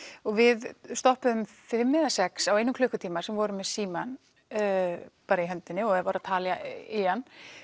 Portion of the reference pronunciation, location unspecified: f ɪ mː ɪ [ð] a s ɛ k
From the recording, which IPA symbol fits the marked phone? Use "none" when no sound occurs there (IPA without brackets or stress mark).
ð